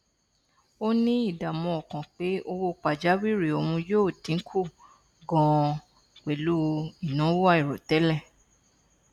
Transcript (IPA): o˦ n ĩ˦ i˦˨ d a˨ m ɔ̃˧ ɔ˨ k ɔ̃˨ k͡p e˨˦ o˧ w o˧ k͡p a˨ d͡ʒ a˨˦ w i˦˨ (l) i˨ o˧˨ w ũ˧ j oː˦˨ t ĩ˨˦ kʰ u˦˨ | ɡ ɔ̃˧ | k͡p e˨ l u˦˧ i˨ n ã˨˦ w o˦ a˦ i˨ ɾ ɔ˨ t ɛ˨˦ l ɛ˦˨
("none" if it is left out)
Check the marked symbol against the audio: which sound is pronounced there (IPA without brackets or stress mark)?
ɾ